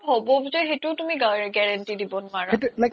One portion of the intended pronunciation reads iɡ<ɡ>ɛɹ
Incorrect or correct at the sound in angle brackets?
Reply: correct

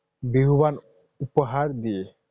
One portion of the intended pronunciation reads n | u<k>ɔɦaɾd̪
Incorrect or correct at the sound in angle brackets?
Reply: incorrect: p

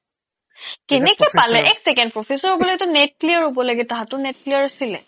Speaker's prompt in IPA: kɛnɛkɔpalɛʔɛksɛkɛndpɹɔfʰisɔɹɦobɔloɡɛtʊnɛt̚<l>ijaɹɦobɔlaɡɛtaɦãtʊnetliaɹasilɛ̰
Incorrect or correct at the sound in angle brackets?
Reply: correct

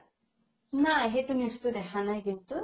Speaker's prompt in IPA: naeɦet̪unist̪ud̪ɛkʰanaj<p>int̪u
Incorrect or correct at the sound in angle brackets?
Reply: incorrect: k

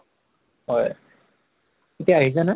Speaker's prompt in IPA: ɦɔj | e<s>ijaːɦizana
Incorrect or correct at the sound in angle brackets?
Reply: incorrect: t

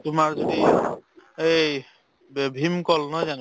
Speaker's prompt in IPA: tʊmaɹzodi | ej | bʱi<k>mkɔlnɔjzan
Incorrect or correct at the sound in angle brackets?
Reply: incorrect: none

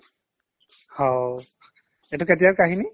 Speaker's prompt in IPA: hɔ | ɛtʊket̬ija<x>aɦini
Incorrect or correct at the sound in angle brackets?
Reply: incorrect: k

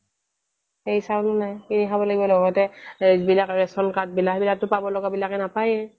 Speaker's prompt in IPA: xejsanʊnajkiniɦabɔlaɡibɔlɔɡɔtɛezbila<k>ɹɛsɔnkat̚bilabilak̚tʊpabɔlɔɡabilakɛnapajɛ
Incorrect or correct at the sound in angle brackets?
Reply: correct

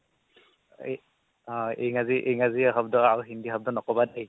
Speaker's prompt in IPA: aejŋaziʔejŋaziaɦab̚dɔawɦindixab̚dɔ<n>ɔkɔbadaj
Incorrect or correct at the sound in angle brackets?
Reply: correct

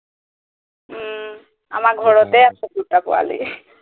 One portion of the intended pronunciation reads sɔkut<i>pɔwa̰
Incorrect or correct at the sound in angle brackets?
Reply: incorrect: a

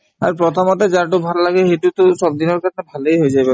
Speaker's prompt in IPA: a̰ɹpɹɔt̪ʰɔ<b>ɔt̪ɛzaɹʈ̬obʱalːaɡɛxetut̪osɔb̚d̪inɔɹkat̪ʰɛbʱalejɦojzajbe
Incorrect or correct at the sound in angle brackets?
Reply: incorrect: m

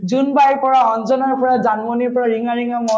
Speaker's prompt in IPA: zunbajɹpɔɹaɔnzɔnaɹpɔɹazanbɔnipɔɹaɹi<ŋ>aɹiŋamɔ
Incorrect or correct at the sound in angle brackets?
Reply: correct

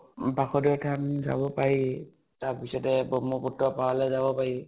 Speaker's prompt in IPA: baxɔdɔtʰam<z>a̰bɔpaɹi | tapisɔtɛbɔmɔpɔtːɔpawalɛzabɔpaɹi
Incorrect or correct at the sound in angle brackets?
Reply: correct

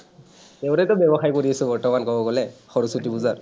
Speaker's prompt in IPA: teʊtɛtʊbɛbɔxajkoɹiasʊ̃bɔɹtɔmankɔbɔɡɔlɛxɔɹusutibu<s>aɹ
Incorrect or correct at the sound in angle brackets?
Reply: incorrect: z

